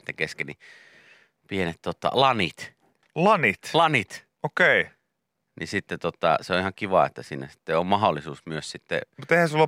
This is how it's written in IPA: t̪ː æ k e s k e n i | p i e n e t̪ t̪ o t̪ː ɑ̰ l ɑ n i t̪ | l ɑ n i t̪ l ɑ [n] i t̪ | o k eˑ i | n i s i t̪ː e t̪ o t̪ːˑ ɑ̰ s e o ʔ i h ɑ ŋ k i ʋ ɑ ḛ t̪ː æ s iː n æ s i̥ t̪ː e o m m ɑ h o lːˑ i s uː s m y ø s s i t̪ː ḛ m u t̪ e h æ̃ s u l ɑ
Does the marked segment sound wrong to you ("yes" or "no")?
no